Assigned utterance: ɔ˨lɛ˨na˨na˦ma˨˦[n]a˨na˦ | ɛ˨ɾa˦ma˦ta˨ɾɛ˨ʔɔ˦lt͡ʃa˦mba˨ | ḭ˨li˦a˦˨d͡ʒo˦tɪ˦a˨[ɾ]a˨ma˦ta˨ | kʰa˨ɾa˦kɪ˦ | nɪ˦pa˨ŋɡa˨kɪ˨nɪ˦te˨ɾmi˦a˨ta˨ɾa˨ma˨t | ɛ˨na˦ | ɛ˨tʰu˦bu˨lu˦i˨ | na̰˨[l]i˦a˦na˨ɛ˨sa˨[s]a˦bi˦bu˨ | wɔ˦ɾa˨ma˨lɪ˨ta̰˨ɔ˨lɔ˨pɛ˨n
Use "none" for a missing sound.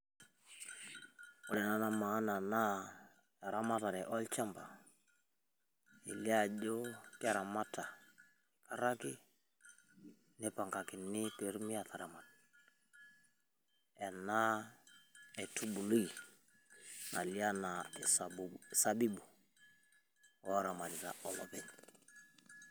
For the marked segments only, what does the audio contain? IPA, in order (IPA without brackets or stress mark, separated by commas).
n, ɾ, l, s